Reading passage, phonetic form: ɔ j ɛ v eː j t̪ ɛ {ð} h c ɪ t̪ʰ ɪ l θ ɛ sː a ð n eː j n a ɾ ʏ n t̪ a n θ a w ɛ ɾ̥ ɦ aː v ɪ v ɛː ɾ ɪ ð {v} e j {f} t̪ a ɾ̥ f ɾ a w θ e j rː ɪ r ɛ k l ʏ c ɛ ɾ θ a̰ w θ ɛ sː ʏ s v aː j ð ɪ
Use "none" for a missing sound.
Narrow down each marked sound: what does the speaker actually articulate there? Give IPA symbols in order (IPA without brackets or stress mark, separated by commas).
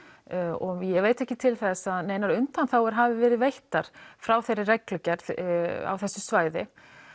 none, v, h